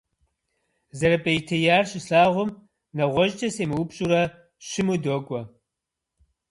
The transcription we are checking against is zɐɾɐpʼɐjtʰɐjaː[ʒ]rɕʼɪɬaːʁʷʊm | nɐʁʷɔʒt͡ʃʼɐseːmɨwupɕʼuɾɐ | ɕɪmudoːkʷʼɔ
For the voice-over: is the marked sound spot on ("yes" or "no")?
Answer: no